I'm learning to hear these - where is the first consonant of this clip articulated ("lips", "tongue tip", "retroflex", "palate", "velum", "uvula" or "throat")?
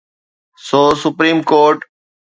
tongue tip